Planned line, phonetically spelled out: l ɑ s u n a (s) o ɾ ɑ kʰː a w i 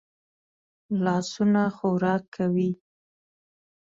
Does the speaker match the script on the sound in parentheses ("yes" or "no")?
no